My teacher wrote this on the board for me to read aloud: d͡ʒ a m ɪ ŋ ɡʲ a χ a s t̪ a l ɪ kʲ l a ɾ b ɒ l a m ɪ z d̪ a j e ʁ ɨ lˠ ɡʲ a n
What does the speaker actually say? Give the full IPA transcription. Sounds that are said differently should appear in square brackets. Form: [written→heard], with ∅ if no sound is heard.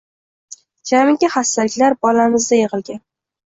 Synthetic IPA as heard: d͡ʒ a m ɪ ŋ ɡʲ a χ a s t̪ a l ɪ kʲ l a ɾ b ɒ l a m ɪ z d̪ a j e ʁ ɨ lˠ ɡʲ a n